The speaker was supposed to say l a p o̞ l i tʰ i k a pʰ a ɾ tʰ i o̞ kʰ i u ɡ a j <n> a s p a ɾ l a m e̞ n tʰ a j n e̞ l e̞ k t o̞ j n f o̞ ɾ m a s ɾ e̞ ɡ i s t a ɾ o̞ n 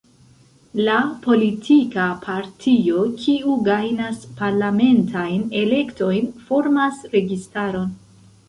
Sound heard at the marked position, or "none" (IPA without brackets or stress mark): n